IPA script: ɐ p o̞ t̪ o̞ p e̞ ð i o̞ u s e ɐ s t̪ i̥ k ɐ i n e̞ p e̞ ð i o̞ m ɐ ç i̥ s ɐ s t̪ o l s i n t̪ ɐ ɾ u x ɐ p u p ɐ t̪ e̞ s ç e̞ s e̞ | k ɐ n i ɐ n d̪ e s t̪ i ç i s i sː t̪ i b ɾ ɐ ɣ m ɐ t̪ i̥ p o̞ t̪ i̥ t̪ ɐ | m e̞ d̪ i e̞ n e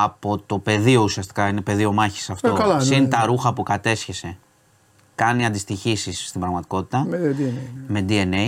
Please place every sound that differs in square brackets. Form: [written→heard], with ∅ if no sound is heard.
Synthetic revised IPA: ɐ p o̞ t̪ o̞ p e̞ ð i o̞ u s [e→i] ɐ s t̪ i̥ k ɐ i n e̞ p e̞ ð i o̞ m ɐ ç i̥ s ɐ [s→f] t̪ o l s i n t̪ ɐ ɾ u x ɐ p u [p→k] ɐ t̪ e̞ s ç e̞ s e̞ | k ɐ n i ɐ n d̪ [e→i] s t̪ i ç i s i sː t̪ i b ɾ ɐ ɣ m ɐ t̪ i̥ [p→k] o̞ t̪ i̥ t̪ ɐ | m e̞ d̪ i e̞ n e